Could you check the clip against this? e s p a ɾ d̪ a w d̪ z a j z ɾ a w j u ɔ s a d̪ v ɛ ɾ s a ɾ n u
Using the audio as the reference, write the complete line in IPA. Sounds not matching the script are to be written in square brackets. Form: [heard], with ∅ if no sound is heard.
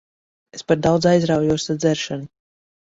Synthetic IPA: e s p a ɾ d̪ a w d̪ z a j z ɾ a w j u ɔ s a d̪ [z] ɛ ɾ [ʃ] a [∅] n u